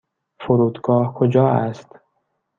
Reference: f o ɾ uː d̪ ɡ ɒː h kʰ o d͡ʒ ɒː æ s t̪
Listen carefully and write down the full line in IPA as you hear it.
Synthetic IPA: f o ɾ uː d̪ ɡ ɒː h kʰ o d͡ʒ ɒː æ s t̪